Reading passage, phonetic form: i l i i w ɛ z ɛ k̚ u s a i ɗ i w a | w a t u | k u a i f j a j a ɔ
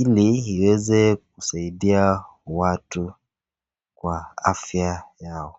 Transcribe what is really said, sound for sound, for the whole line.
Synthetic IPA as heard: i l i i w ɛ z ɛ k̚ u s a i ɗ i a | w a t u | k w a a f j a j a ɔ